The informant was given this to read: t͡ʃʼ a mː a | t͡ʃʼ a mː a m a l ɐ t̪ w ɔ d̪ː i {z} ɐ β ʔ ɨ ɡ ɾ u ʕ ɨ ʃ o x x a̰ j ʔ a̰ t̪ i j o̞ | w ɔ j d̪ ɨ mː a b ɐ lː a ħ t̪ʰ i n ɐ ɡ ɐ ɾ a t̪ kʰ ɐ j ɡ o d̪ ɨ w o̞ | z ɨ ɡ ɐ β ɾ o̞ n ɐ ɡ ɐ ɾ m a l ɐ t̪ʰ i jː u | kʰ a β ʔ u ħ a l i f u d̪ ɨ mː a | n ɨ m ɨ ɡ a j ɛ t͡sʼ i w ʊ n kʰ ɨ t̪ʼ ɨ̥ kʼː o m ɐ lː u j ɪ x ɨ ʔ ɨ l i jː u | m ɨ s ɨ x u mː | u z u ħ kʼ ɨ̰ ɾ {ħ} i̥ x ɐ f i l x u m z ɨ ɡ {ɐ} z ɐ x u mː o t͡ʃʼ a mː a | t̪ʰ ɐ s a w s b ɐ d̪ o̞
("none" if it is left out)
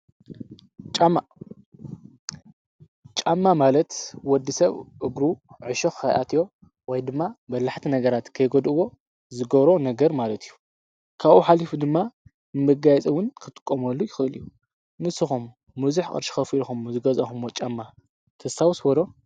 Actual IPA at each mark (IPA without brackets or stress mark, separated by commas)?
s, ʃ, ɐ